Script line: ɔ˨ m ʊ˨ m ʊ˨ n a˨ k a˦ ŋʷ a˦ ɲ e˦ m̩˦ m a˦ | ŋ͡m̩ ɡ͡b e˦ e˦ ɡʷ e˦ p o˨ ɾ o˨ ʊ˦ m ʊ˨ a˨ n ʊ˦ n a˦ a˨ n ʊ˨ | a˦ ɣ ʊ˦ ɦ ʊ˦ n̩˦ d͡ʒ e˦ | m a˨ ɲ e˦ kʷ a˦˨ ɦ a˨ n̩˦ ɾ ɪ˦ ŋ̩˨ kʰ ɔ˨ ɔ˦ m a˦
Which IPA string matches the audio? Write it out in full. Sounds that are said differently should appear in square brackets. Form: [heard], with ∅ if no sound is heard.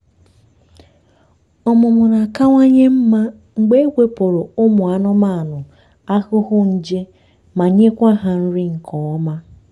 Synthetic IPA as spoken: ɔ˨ m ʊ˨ m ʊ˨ n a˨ k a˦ ŋʷ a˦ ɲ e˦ m̩˦ m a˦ | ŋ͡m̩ ɡ͡b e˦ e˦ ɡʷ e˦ p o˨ ɾ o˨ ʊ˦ m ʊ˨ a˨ n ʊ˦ [m] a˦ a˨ n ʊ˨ | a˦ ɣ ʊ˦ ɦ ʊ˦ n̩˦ d͡ʒ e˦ | m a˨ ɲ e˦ kʷ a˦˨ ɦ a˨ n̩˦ ɾ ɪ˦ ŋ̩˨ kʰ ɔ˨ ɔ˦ m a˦